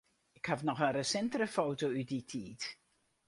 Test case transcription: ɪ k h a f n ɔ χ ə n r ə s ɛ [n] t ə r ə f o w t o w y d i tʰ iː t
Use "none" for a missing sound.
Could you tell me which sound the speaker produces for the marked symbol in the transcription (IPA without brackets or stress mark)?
n